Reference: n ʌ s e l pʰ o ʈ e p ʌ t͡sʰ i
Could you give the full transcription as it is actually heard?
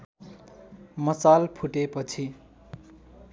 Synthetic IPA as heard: m ʌ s a l pʰ u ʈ e p ʌ t͡sʰ i